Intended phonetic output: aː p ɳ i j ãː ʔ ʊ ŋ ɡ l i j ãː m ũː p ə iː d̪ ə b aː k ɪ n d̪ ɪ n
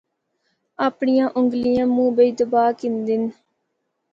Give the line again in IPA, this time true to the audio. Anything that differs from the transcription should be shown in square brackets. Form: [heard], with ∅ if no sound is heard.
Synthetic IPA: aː p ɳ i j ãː ʔ ʊ ŋ ɡ l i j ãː m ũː [b] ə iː d̪ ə b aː k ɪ n d̪ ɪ n